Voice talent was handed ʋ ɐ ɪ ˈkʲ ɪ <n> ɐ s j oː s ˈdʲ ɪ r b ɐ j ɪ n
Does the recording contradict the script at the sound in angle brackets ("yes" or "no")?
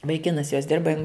no